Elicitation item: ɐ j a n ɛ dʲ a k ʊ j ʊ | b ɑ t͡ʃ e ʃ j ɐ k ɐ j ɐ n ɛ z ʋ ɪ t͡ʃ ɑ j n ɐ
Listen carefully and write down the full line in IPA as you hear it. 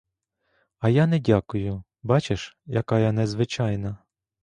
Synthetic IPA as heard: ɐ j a n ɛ dʲ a k ʊ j ʊ | b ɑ t͡ʃ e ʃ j ɐ k ɑ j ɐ n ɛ z ʋ ɪ t͡ʃ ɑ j n ɐ